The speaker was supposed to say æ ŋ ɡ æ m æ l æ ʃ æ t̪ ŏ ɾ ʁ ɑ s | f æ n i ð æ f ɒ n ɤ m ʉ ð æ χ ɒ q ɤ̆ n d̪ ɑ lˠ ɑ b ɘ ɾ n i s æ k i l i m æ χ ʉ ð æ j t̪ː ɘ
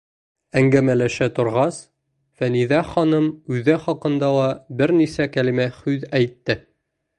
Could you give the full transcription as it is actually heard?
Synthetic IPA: æ ŋ ɡ æ m æ l æ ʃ æ t̪ ŏ ɾ ʁ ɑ s | f æ n i ð æ χ ɒ n ɤ m ʉ ð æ χ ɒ q ɤ̆ n d̪ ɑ lˠ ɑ b ɘ ɾ n i s æ k æ l i m æ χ ʉ ð æ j t̪ː ɘ